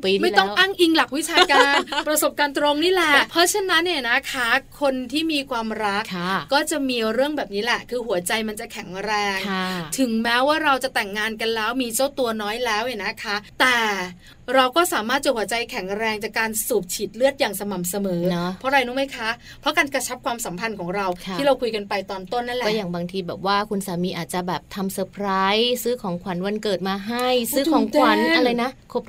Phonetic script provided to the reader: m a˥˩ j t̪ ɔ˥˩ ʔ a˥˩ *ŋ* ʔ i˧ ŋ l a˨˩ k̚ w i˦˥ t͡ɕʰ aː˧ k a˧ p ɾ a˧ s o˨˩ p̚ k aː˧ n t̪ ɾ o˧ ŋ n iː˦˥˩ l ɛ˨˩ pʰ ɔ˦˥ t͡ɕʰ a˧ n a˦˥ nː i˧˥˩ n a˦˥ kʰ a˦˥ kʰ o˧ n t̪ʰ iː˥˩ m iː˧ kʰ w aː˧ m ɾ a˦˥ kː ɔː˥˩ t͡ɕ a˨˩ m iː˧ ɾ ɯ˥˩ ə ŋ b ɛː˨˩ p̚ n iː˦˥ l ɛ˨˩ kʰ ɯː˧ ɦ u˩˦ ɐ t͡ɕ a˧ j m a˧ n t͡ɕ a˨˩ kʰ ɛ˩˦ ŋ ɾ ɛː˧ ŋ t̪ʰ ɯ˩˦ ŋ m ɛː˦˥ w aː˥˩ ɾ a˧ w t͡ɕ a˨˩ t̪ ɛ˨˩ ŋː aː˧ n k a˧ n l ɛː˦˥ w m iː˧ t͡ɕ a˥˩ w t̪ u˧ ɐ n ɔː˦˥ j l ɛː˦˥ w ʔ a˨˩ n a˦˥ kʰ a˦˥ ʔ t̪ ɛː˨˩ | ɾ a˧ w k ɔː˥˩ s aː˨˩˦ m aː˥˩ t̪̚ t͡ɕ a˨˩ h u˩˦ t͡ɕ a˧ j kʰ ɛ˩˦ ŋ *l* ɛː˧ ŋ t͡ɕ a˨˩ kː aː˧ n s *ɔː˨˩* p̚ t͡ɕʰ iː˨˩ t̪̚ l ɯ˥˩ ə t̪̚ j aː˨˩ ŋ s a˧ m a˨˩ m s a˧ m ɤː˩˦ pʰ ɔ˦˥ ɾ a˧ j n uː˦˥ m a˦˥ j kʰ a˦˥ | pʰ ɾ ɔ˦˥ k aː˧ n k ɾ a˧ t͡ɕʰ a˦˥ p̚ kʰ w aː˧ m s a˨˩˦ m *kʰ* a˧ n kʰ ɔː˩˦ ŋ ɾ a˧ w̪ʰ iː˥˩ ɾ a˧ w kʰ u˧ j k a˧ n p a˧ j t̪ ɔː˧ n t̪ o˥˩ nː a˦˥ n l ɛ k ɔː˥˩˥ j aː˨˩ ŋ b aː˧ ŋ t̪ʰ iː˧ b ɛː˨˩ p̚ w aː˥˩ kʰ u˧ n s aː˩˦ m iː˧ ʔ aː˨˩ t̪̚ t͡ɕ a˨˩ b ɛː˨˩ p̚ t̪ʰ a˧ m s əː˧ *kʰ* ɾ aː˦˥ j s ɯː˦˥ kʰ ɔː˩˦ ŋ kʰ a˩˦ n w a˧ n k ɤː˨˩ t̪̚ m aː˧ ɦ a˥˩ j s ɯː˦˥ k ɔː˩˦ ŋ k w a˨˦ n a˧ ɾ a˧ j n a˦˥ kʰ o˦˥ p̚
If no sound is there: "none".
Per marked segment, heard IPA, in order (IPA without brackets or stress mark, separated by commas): ŋ, ɾ, uː˨˩, pʰ, pʰ